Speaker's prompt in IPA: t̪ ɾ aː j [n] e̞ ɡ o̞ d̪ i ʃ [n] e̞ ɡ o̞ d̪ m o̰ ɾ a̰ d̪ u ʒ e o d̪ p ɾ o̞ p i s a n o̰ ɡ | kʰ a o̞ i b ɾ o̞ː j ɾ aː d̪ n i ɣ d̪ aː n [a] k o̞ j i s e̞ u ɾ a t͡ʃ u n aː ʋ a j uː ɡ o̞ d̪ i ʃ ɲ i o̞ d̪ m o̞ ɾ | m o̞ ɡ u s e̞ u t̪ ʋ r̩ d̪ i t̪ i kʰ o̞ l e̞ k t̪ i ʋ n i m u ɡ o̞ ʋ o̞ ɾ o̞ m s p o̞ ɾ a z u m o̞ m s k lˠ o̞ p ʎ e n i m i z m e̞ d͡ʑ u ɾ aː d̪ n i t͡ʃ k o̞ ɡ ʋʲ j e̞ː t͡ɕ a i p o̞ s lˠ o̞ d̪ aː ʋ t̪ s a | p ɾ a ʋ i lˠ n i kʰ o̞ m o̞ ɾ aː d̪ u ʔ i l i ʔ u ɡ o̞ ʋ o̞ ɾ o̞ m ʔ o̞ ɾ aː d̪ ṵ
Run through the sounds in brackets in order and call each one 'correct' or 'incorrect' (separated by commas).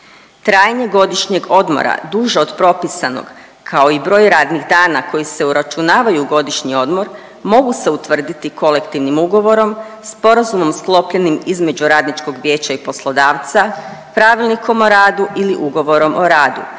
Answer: incorrect, incorrect, correct